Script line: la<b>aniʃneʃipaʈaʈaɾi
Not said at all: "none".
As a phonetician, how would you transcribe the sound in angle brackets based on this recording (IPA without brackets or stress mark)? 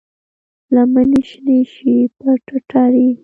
m